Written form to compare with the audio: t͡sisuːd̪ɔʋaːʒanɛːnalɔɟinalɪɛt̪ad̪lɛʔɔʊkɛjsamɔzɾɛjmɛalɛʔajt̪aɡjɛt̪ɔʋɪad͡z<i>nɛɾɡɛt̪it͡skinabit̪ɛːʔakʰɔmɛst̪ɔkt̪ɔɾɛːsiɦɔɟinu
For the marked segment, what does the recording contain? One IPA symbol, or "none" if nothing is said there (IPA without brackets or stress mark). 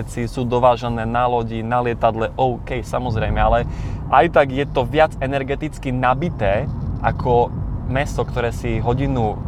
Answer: ɛ